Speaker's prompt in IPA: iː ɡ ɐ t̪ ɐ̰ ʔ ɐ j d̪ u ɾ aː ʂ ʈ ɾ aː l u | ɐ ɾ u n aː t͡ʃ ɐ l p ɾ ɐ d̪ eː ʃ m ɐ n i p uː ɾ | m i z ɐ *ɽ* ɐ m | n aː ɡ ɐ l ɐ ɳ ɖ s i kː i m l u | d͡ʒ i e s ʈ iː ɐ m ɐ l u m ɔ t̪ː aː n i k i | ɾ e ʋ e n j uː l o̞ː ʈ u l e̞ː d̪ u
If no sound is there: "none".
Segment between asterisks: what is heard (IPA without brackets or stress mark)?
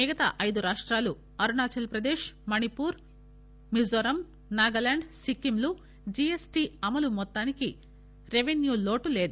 ɾ